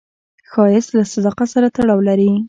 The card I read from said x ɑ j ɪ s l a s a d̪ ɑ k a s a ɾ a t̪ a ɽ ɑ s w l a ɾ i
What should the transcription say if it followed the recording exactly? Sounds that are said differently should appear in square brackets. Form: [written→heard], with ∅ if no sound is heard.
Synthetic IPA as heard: x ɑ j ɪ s l a s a d̪ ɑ [k→q] a s a ɾ a t̪ a ɽ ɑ [s→∅] w l a ɾ i